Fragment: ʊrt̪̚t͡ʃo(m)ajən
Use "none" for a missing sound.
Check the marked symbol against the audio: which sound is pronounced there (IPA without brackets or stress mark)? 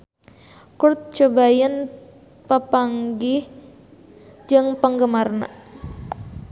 b